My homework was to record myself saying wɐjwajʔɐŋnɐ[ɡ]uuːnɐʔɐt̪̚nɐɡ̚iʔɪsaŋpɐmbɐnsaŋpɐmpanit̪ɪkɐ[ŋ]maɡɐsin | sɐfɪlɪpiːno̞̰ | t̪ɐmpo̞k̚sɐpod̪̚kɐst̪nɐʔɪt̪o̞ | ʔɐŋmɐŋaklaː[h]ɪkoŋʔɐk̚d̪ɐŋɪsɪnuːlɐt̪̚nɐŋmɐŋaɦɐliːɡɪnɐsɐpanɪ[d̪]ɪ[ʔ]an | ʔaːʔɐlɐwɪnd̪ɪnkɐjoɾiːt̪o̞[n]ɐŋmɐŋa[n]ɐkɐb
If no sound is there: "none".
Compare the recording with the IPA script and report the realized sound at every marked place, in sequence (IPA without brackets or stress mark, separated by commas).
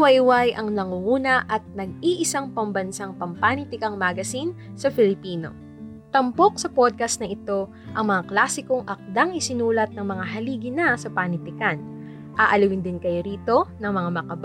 ŋ, ŋ, s, t̪, k, n, m